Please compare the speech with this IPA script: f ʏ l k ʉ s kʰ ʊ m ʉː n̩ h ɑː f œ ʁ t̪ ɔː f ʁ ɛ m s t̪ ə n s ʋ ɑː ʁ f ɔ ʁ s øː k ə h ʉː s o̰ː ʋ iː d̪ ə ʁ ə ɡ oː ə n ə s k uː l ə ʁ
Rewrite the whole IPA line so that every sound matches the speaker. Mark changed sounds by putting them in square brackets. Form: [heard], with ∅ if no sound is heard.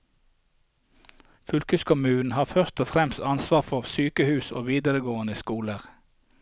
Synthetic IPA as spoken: f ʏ l k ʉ s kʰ ʊ m ʉː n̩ h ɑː f œ ʁ t̪ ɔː f ʁ ɛ m s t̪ [ɑ] n s ʋ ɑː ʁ f ɔ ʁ s [yː] k ə h ʉː s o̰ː ʋ iː d̪ ə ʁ ə ɡ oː ə n ə s k uː l ə ʁ